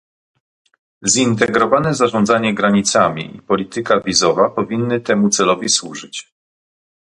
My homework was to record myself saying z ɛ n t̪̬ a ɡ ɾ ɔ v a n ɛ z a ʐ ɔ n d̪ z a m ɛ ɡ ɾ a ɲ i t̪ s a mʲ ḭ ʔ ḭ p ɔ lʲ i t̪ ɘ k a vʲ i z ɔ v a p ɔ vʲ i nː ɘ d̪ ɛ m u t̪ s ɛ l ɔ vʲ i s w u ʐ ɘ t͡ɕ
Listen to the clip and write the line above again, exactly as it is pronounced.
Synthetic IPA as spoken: z i n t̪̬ ɛ ɡ ɾ ɔ v a n ɛ z a ʐ ɔ n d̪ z a ɲ ɛ ɡ ɾ a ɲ i t̪ s a mʲ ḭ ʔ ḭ p ɔ lʲ i t̪ ɘ k a vʲ i z ɔ v a p ɔ vʲ i nː ɘ t̪ ɛ m u t̪ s ɛ l ɔ vʲ i s w u ʐ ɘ t͡ɕ

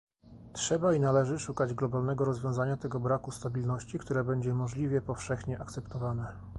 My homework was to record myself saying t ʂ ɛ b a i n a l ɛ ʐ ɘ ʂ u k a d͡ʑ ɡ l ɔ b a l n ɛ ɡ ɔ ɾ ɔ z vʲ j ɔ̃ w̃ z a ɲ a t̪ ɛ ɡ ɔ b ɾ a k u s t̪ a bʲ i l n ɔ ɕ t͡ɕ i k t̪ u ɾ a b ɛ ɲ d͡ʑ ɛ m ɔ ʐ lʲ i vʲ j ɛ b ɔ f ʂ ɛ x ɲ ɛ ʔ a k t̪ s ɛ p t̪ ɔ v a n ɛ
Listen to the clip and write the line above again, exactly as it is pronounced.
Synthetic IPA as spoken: t ʂ ɛ b a i n a l ɛ ʐ ɘ ʂ u k a d͡ʑ ɡ l ɔ b a l n ɛ ɡ ɔ ɾ ɔ z vʲ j ɔ̃ w̃ z a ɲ a t̪ ɛ ɡ ɔ b ɾ a k u s t̪ a bʲ i l n ɔ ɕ t͡ɕ i k t̪ u ɾ ɛ b ɛ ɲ d͡ʑ ɛ m ɔ ʐ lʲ i vʲ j ɛ p ɔ f ʂ ɛ x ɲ ɛ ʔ a k t̪ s ɛ p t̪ ɔ v a n ɛ

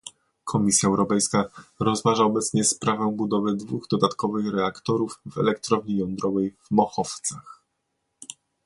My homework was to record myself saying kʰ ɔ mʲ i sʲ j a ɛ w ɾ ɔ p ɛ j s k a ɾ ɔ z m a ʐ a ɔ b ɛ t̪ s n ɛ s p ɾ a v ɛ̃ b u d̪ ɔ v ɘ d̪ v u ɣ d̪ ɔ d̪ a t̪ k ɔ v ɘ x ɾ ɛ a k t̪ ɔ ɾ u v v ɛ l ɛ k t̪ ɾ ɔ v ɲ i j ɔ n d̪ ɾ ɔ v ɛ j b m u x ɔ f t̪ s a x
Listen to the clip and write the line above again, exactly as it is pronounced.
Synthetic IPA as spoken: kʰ ɔ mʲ i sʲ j a ɛ w ɾ ɔ p ɛ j s k a ɾ ɔ z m a ʐ a ɔ b ɛ t̪ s ɲ ɛ s p ɾ a v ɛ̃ b u d̪ ɔ v ɘ d̪ v u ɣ d̪ ɔ d̪ a t̪ k ɔ v ɘ x ɾ ɛ a k t̪ ɔ ɾ u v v ɛ l ɛ k t̪ ɾ ɔ v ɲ i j ɔ n d̪ ɾ ɔ v ɛ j v m ɔ x ɔ f t̪ s a x

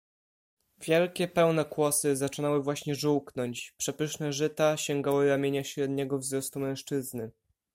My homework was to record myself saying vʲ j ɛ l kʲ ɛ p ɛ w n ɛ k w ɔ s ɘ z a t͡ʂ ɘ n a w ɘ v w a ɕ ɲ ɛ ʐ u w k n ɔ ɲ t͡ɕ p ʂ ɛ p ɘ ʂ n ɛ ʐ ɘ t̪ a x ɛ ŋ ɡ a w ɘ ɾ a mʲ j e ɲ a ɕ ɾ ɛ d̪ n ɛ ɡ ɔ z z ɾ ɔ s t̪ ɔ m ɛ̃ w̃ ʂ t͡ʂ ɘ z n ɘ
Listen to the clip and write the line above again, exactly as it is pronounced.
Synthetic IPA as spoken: vʲ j ɛ l kʲ ɛ p ɛ w n ɛ k w ɔ s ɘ z a t͡ʂ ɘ n a w ɘ v w a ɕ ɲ ɛ ʐ u w k n ɔ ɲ t͡ɕ p ʂ ɛ p ɘ ʂ n ɛ ʐ ɘ t̪ a ɕ ɛ ŋ ɡ a w ɘ ɾ a mʲ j e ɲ a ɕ ɾ ɛ d̪ ɲ ɛ ɡ ɔ v z ɾ ɔ s t̪ u m ɛ̃ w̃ ʂ t͡ʂ ɘ z n ɘ

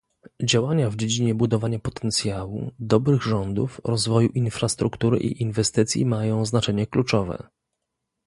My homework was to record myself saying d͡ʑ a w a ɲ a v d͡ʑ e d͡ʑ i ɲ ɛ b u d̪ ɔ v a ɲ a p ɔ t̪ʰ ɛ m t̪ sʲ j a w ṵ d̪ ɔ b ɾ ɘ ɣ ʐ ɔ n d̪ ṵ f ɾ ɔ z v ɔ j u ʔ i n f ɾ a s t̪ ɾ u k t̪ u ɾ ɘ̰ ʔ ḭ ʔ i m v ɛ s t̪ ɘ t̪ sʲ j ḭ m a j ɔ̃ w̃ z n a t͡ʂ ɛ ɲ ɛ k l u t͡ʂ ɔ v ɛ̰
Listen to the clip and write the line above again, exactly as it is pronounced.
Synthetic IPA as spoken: d͡ʑ a w a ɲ a v d͡ʑ e d͡ʑ i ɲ ɛ b u d̪ ɔ v a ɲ a p ɔ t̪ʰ ɛ n t̪ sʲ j a w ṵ d̪ ɔ b ɾ ɘ ɣ ʐ ɔ n d̪ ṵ f ɾ ɔ z v ɔ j u ʔ i n f ɾ a s t̪ ɾ u k t̪ u ɾ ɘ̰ ʔ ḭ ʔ i n v ɛ s t̪ ɘ t̪ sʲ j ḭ m a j ɔ̃ w̃ z n a t͡ʂ ɛ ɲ ɛ k l u t͡ʂ ɔ v ɛ̰

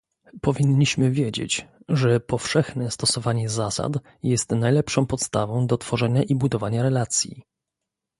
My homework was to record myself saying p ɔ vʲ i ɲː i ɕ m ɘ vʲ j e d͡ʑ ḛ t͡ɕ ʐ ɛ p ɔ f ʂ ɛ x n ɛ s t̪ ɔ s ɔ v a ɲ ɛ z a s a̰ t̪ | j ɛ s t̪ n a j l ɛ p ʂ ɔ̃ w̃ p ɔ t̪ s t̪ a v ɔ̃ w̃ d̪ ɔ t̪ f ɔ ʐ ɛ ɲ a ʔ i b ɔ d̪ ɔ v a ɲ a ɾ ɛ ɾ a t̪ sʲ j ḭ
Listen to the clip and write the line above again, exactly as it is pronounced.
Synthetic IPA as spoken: p ɔ vʲ i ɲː i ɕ m ɘ vʲ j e d͡ʑ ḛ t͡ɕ ʐ ɛ p ɔ f ʂ ɛ x n ɛ s t̪ ɔ s ɔ v a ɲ ɛ z a s a̰ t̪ | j ɛ s t̪ n a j l ɛ p ʂ ɔ̃ w̃ p ɔ t̪ s t̪ a v ɔ̃ w̃ d̪ ɔ t̪ f ɔ ʐ ɛ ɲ a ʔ i b u d̪ ɔ v a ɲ a ɾ ɛ l a t̪ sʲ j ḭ

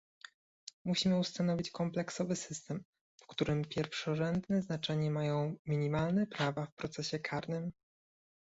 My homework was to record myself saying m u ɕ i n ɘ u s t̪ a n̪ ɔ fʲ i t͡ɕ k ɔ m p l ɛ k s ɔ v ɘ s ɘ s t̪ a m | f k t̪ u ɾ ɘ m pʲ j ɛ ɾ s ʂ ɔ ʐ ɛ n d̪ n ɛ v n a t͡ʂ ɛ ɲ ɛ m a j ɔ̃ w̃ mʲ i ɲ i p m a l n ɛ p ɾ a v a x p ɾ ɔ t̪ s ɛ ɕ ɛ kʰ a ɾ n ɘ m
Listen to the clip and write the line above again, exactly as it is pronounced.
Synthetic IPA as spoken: m u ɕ i m ɘ u s t̪ a n̪ ɔ vʲ i t͡ɕ k ɔ m p l ɛ k s ɔ v ɘ s ɘ s t̪ ɛ m | f k t̪ u ɾ ɘ m pʲ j ɛ ɾ f ʂ ɔ ʐ ɛ n d̪ n ɛ z n a t͡ʂ ɛ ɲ ɛ m a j ɔ̃ w̃ mʲ i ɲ i m a l n ɛ p ɾ a v a f p ɾ ɔ t̪ s ɛ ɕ ɛ kʰ a ɾ n ɘ m

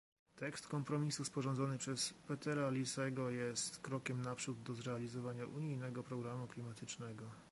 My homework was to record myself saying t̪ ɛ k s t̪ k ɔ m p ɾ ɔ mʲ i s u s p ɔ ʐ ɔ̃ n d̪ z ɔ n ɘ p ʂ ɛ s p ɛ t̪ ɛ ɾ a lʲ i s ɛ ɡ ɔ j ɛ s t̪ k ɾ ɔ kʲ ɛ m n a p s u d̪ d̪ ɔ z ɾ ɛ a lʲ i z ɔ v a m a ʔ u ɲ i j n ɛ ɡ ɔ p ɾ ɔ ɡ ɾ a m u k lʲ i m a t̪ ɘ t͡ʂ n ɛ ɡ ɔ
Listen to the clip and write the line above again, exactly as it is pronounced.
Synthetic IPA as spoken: t̪ ɛ k s t̪ k ɔ m p ɾ ɔ mʲ i s u s p ɔ ʐ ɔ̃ n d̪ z ɔ n ɘ p ʂ ɛ s p ɛ t̪ ɛ ɾ a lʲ i s ɛ ɡ ɔ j ɛ s t̪ k ɾ ɔ kʲ ɛ m n a p ʂ u d̪ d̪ ɔ z ɾ ɛ a lʲ i z ɔ v a ɲ a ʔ u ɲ i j n ɛ ɡ ɔ p ɾ ɔ ɡ ɾ a m u k lʲ i m a t̪ ɘ t͡ʂ n ɛ ɡ ɔ

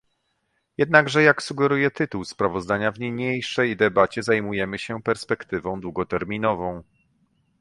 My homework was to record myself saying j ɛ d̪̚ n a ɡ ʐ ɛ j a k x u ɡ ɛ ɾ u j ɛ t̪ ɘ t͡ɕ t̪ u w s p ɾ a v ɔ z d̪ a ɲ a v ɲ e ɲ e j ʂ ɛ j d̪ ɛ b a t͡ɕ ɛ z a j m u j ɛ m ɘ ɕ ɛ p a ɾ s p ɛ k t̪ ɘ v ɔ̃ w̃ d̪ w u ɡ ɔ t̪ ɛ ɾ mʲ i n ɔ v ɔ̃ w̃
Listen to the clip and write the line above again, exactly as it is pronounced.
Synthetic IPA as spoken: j ɛ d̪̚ n a ɡ ʐ ɛ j a k s u ɡ ɛ ɾ u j ɛ t̪ ɘ t̪ u w s p ɾ a v ɔ z d̪ a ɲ a v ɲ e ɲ e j ʂ ɛ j d̪ ɛ b a t͡ɕ ɛ z a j m u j ɛ m ɘ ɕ ɛ p ɛ ɾ s p ɛ k t̪ ɘ v ɔ̃ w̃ d̪ w u ɡ ɔ t̪ ɛ ɾ mʲ i n ɔ v ɔ̃ w̃

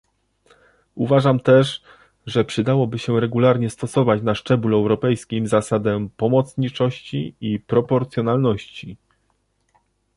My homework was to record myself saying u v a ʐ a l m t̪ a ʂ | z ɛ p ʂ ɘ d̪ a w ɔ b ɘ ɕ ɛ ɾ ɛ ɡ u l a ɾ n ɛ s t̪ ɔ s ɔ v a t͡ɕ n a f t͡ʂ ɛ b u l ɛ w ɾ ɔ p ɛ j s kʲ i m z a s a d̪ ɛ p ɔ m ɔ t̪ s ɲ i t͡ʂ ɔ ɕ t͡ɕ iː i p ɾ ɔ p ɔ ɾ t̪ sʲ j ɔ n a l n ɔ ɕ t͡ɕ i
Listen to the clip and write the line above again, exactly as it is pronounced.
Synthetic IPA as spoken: u v a ʐ a m t̪ ɛ ʂ | ʐ ɛ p ʂ ɘ d̪ a w ɔ b ɘ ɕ ɛ ɾ ɛ ɡ u l a ɾ ɲ ɛ s t̪ ɔ s ɔ v a t͡ɕ n a ʂ t͡ʂ ɛ b u l ɛ w ɾ ɔ p ɛ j s kʲ i m z a s a d̪ ɛ p ɔ m ɔ t̪ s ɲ i t͡ʂ ɔ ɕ t͡ɕ i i p ɾ ɔ p ɔ ɾ t̪ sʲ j ɔ n a l n ɔ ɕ t͡ɕ i

